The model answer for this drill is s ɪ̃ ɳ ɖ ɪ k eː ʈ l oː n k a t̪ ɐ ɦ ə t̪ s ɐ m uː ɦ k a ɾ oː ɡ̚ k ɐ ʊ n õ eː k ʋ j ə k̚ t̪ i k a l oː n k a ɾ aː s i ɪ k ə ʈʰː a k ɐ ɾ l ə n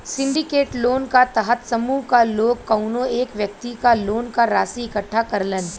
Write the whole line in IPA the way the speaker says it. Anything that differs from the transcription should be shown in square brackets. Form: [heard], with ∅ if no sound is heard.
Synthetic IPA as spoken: s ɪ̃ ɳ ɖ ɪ k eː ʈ l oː n k a t̪ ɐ ɦ ə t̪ s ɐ m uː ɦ k a [l] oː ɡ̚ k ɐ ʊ n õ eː k ʋ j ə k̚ t̪ i k a l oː n k a ɾ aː s i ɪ k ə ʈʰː a k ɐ ɾ l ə n